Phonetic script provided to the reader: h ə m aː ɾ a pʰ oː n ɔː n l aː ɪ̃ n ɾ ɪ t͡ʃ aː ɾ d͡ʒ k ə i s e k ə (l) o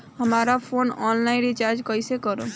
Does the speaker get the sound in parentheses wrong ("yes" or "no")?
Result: yes